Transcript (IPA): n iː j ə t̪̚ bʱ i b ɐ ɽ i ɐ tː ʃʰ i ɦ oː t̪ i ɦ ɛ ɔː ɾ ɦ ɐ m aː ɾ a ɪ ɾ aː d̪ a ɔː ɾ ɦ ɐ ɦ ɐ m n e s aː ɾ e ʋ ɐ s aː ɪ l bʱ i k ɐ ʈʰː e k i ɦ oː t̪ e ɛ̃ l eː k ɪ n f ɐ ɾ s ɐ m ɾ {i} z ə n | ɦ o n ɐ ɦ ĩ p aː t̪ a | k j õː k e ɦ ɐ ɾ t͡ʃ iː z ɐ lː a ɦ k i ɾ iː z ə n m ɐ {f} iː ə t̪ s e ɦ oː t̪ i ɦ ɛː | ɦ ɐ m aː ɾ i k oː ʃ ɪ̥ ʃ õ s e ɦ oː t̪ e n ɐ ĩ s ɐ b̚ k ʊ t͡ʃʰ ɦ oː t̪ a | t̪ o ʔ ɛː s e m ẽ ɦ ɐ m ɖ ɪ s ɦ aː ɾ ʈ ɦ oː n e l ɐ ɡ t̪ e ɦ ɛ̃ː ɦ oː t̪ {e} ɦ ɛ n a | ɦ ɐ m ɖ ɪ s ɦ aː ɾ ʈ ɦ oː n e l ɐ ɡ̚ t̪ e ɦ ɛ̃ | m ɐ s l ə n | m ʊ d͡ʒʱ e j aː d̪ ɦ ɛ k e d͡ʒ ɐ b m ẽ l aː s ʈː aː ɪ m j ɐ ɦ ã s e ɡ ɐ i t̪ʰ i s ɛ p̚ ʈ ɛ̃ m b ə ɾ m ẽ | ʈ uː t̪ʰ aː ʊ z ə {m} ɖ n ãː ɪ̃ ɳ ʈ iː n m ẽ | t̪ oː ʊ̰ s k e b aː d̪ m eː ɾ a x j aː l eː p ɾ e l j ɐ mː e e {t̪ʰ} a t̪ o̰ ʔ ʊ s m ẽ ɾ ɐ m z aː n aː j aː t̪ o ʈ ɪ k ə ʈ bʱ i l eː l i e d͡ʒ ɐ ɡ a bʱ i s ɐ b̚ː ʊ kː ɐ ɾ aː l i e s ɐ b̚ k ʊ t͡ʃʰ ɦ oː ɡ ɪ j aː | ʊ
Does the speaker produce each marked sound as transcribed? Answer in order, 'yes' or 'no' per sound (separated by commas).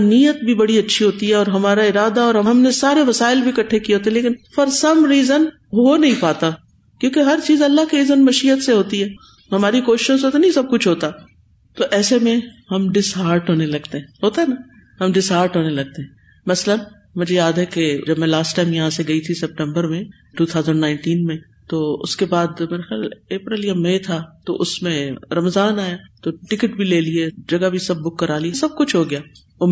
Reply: no, no, no, no, yes